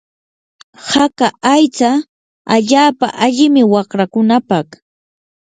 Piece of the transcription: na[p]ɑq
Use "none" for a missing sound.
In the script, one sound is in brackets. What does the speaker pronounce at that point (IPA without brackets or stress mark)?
p